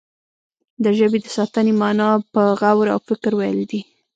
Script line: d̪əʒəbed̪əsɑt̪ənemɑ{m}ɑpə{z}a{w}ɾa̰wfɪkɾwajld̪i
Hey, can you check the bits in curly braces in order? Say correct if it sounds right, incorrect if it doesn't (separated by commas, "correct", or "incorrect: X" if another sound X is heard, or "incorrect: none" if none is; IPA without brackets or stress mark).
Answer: incorrect: n, incorrect: ɣ, correct